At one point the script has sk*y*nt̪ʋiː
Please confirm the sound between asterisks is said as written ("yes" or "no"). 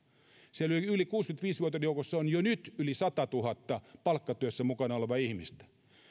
yes